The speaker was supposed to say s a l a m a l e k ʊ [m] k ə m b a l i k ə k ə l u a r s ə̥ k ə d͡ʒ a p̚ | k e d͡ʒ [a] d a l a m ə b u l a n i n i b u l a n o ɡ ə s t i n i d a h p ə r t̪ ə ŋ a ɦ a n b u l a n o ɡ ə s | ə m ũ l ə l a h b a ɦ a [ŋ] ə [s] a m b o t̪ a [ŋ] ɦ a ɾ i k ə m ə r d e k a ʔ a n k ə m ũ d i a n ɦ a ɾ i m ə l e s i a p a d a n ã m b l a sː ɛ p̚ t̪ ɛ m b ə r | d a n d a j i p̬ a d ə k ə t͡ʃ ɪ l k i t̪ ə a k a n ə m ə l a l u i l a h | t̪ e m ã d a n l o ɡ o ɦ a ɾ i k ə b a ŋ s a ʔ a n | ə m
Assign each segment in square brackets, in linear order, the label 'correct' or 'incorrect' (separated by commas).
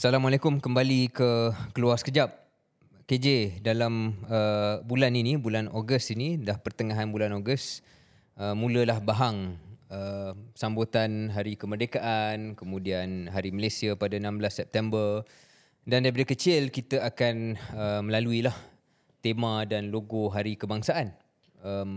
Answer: correct, incorrect, correct, correct, incorrect